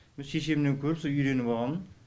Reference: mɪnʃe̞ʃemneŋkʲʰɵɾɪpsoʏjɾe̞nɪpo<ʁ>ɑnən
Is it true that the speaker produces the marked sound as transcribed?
yes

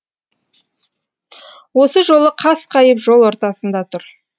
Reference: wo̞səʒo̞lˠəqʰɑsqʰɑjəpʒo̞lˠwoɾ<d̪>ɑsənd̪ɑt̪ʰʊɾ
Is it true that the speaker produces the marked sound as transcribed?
no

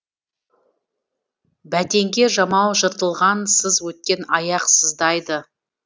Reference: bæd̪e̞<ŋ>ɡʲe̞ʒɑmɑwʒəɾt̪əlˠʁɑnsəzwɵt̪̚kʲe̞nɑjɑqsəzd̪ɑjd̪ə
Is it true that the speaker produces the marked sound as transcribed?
yes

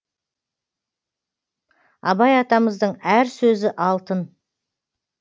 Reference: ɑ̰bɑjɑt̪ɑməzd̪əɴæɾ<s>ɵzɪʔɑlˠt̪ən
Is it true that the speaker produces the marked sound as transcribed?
yes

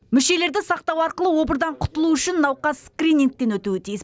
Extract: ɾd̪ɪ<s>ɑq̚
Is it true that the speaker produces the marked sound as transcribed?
yes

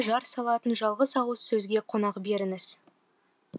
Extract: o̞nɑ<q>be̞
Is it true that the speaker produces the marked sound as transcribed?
yes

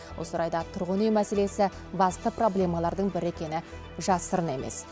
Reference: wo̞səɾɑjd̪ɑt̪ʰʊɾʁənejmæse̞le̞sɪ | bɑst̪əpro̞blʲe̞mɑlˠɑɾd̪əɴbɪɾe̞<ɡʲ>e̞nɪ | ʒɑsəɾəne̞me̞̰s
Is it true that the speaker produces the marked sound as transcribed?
no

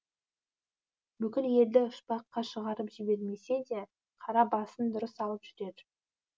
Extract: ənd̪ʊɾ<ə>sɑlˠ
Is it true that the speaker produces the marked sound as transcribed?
yes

